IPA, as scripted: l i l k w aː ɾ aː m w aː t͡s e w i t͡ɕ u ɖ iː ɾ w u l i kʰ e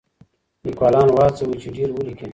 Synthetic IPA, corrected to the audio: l i k w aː l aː n w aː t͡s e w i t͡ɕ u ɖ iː ɾ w u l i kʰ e